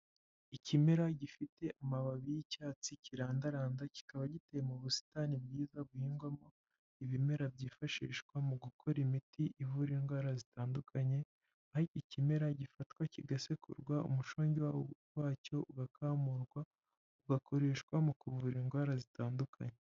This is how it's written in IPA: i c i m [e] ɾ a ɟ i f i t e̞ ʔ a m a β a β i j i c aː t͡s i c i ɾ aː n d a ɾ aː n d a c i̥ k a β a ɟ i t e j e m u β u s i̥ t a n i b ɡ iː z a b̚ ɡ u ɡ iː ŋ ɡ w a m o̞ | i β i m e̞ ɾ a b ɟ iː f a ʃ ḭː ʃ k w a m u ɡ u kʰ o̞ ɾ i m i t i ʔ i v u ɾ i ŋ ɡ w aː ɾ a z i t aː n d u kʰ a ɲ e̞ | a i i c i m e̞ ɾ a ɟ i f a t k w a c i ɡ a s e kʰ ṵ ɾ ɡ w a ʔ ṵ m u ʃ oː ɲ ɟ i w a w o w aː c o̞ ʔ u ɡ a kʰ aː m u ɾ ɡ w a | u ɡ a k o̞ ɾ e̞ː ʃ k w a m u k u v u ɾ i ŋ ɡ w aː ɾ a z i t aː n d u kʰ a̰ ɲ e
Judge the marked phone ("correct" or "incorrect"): correct